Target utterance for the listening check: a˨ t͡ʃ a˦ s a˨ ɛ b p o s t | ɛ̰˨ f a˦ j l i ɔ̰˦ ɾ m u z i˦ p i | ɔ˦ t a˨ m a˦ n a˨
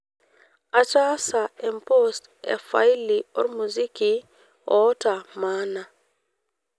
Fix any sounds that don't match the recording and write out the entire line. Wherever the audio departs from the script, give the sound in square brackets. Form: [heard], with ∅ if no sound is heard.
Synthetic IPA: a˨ t͡ʃ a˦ s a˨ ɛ [m] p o s t | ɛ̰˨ f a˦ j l i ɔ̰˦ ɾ m u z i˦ [k] i | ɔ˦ t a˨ m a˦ n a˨

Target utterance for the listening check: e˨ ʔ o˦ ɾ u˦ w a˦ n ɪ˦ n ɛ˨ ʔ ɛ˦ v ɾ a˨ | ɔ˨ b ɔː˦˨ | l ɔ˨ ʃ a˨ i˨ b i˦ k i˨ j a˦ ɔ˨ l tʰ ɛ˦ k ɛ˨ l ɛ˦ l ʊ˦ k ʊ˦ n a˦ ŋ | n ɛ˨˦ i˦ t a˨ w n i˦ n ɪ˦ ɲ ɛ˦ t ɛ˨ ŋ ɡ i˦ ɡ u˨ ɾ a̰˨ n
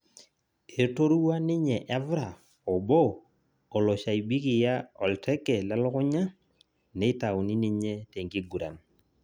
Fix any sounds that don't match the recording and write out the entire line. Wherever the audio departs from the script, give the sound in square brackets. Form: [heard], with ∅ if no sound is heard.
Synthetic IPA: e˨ [t] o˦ ɾ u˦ w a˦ n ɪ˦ [ɲ] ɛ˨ ʔ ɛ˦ v ɾ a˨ | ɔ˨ b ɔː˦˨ | l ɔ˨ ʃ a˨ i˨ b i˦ k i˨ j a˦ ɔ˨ l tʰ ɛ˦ k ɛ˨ l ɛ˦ l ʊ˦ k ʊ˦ [ɲ] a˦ [∅] | n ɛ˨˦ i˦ t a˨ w n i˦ n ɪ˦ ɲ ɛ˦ t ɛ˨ ŋ ɡ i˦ ɡ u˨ ɾ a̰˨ n

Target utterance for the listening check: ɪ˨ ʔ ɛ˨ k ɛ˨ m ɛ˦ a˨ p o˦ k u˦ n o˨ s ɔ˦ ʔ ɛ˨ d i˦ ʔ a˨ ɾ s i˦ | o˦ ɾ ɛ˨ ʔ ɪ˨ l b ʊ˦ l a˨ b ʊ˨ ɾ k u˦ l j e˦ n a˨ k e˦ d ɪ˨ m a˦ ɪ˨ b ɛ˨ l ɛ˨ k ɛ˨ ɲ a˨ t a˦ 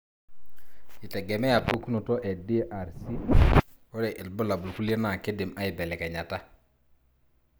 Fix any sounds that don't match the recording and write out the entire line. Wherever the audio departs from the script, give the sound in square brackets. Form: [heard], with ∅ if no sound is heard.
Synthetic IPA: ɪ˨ [t] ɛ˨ [ɡ] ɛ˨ m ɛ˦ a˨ p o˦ k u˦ n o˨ [t] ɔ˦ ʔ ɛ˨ d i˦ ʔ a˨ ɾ s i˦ | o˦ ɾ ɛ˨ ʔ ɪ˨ l b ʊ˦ l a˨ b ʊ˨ [l] k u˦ l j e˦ n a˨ k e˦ d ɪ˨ m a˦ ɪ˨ b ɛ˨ l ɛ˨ k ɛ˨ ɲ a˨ t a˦

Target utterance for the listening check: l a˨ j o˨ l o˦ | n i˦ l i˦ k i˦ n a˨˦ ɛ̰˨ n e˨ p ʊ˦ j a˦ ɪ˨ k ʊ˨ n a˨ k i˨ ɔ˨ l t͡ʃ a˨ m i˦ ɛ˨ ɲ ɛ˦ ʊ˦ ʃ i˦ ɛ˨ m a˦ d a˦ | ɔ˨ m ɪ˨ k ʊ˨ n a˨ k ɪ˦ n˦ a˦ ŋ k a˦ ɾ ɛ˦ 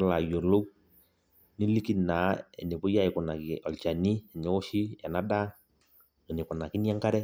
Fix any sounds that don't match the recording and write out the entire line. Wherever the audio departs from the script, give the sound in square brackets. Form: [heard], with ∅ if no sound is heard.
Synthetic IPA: l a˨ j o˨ l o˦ | n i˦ l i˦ k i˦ n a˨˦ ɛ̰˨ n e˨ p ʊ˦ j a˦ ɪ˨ k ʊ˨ n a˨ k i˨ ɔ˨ l t͡ʃ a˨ [n] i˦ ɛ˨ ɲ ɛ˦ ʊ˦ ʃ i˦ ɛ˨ [n] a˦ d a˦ | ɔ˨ [n] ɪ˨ k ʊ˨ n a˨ k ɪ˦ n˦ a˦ ŋ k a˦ ɾ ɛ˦

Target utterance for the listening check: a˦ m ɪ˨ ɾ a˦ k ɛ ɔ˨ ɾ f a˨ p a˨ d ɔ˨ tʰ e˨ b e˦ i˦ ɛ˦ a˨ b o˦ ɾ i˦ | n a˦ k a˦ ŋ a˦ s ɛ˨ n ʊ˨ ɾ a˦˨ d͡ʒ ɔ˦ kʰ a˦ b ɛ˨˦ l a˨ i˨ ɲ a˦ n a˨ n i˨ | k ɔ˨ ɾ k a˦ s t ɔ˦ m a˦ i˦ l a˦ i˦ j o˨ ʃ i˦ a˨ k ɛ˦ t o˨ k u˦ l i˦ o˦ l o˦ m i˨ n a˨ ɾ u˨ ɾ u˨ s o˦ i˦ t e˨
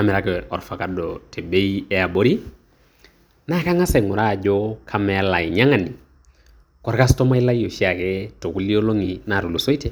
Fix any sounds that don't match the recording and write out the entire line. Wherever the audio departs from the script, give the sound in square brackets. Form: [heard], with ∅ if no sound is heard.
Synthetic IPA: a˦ m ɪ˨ ɾ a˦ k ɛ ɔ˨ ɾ f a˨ [k] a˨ d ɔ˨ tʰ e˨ b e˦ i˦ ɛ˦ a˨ b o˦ ɾ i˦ | n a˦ k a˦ ŋ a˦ s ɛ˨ [ŋ] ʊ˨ ɾ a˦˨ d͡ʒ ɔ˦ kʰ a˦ [m] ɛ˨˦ l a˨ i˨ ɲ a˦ [ŋ] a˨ n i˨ | k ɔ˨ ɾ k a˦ s t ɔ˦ m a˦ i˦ l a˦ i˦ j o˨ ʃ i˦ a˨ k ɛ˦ t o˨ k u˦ l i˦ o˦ l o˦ [ŋ] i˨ n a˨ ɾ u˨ [l] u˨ s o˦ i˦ t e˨

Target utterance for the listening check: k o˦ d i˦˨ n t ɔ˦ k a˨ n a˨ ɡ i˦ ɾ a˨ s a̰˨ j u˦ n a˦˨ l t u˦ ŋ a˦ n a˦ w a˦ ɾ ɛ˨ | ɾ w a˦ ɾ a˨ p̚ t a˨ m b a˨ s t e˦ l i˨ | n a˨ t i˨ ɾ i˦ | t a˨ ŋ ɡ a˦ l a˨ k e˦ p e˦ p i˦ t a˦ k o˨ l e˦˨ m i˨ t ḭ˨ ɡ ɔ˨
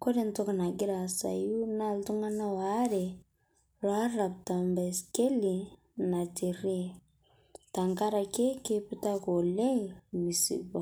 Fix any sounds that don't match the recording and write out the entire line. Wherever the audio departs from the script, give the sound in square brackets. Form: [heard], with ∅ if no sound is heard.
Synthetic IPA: k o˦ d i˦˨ n t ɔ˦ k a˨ n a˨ ɡ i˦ ɾ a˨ s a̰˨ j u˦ n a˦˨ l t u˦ ŋ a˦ n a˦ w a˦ ɾ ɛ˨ | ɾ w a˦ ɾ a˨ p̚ t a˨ m b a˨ s [k] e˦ l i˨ | n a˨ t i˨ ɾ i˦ | t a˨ ŋ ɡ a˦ [ɾ] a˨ k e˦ [k] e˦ p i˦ t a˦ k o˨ l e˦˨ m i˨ [s] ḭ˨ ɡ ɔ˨

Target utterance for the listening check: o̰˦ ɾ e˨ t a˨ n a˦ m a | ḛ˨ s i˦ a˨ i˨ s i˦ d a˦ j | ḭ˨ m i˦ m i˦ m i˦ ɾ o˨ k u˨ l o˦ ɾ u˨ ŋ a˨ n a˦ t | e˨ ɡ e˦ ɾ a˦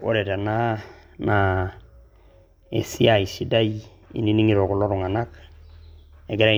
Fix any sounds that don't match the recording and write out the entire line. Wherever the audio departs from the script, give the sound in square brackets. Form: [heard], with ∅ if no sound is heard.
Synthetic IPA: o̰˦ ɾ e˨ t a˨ n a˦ [n] a | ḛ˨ s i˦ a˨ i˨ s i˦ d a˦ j | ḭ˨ [n] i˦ [n] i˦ [ŋ] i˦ ɾ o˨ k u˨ l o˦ ɾ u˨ ŋ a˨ n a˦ [k] | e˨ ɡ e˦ ɾ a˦

